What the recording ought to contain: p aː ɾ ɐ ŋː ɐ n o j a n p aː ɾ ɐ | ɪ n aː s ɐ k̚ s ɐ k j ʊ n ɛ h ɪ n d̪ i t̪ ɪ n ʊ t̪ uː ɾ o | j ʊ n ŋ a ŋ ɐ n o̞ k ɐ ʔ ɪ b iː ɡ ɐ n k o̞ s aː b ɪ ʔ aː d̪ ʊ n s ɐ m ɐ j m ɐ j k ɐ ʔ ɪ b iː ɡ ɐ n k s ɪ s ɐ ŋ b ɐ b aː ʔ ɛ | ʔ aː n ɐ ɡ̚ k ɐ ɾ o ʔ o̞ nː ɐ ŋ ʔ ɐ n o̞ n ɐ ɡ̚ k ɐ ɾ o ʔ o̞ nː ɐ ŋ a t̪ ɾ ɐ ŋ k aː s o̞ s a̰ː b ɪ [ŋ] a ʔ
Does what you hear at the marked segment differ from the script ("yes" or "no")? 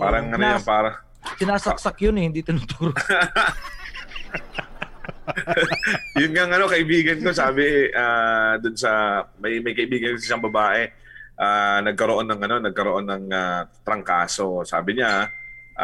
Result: yes